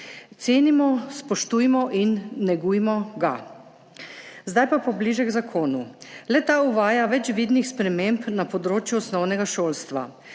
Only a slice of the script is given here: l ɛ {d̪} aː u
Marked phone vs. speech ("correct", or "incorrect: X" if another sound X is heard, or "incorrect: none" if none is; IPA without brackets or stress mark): incorrect: t̪